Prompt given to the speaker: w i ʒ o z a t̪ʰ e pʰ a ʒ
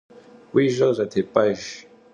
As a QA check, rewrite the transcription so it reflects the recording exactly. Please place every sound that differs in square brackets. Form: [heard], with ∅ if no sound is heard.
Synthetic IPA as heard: w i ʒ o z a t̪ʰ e [p] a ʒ